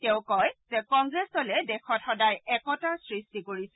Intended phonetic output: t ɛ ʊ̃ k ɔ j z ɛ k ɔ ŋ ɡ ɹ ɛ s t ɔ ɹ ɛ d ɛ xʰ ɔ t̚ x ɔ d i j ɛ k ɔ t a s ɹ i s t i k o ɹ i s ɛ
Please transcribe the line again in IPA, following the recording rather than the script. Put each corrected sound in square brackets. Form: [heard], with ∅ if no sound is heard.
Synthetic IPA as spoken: t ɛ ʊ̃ k ɔ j z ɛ k ɔ ŋ ɡ ɹ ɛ s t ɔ [l] ɛ d ɛ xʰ ɔ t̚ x ɔ d [a] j ɛ k ɔ t a s ɹ i s t i k o ɹ i s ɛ